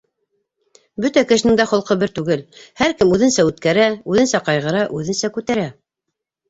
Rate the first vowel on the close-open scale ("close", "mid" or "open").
mid